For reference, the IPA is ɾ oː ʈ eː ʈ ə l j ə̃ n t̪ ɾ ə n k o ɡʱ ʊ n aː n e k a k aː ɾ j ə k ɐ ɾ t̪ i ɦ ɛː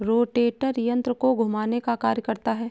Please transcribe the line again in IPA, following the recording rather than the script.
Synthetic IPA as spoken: ɾ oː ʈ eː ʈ ə ɾ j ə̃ n t̪ ɾ ə k o ɡʱ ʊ m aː n e k a k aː ɾ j ə k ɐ ɾ t̪ a ɦ ɛː